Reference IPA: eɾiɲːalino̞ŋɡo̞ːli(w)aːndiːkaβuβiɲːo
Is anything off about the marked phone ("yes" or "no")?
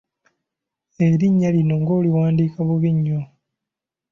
no